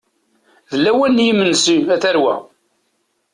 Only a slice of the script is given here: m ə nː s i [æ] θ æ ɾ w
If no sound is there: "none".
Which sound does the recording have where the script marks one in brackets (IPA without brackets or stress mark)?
æ